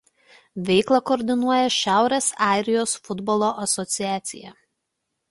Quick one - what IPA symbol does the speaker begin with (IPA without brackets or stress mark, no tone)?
ʋʲ